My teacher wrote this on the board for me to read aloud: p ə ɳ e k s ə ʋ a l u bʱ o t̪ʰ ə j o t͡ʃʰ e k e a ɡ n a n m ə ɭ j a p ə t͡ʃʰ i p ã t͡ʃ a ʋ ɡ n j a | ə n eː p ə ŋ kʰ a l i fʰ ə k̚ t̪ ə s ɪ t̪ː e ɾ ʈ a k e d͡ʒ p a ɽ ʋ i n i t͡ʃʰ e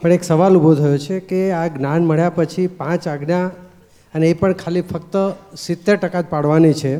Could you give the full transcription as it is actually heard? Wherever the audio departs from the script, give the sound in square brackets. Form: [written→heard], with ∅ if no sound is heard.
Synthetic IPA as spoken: p ə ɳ e k s ə ʋ a l u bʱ o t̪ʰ ə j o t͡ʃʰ e k e a ɡ n a n m ə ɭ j a p ə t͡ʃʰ i p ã t͡ʃ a [ʋ→∅] ɡ n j a | ə n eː p ə [ŋ→ɳ] kʰ a l i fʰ ə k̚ t̪ ə s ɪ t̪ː e ɾ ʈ [a→ə] k [e→a] d͡ʒ p a ɽ ʋ [i→a] n i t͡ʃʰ e